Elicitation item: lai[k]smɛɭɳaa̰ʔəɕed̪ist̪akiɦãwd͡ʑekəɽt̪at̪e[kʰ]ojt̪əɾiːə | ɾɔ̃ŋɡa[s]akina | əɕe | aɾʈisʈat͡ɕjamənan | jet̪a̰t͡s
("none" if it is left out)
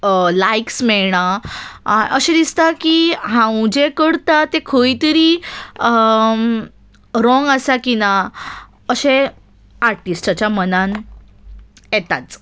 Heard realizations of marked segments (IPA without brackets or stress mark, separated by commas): k, kʰ, s